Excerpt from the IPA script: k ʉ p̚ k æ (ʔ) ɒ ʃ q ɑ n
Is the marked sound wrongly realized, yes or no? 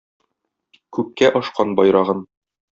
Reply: no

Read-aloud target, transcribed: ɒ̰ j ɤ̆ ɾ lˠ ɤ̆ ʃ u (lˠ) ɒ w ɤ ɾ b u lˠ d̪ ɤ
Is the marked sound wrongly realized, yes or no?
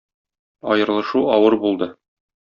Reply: yes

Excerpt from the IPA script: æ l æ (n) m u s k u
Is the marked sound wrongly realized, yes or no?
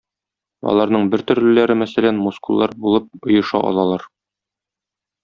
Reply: no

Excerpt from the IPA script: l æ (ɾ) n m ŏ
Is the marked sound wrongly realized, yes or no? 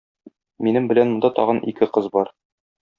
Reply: yes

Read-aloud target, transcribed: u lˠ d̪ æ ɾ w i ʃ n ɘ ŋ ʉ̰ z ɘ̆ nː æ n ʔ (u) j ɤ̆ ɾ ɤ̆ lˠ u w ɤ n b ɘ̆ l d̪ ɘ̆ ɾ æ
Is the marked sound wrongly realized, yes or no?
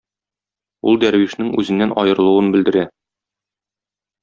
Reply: yes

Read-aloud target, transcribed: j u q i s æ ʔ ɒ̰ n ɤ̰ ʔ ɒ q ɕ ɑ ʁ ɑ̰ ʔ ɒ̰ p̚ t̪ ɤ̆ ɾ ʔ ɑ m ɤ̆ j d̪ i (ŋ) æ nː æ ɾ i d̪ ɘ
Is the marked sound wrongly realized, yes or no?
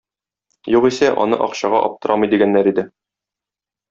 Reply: yes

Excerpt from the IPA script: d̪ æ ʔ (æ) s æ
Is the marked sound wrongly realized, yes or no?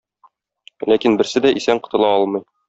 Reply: yes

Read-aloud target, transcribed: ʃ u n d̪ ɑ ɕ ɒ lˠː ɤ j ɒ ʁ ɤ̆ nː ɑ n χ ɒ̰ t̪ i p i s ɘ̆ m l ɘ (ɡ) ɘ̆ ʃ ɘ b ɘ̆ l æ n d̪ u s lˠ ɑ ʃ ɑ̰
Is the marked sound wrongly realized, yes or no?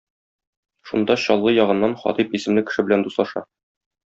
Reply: yes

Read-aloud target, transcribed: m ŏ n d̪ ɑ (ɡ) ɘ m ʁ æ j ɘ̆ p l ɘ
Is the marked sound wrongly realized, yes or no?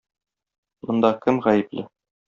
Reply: yes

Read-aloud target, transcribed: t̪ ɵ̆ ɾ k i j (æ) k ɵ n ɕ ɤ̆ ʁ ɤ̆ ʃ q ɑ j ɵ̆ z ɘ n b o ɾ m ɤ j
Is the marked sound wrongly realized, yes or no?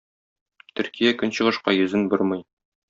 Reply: no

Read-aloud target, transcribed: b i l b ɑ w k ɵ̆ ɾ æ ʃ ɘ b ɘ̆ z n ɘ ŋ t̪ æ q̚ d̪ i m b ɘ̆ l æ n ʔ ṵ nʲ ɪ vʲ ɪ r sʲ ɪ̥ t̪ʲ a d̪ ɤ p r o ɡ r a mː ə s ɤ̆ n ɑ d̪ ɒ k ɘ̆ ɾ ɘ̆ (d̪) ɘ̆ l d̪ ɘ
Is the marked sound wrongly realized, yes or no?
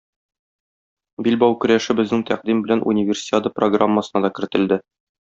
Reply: yes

